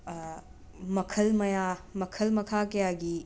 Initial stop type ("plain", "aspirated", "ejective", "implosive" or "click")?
aspirated